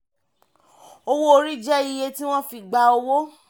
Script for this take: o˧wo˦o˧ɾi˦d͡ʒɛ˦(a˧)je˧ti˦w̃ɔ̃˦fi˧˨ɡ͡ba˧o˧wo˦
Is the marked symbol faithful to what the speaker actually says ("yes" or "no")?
no